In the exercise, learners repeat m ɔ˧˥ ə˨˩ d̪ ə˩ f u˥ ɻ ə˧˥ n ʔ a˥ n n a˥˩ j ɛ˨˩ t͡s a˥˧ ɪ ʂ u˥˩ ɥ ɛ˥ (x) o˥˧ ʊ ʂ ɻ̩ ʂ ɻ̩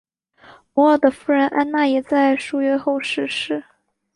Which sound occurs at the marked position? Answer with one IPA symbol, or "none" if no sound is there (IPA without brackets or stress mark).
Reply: x